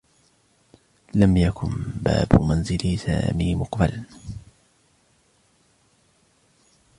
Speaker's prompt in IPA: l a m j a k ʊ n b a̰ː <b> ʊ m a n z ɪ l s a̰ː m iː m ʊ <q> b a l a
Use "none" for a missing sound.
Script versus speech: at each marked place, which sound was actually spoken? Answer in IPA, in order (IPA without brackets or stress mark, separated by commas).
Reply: b, q